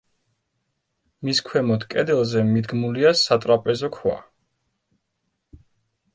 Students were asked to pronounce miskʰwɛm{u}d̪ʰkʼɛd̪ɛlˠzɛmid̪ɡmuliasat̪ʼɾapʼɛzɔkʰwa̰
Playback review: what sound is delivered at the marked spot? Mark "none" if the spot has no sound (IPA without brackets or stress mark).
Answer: ɔ